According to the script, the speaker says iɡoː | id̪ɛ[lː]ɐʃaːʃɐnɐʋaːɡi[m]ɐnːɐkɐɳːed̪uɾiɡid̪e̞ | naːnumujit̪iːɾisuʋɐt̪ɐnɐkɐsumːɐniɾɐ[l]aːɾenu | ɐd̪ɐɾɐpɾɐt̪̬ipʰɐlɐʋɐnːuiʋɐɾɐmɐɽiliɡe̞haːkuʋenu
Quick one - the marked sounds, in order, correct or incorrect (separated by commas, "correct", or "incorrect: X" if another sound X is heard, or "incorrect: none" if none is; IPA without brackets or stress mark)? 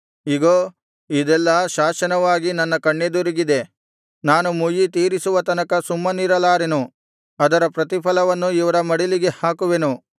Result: correct, incorrect: n, correct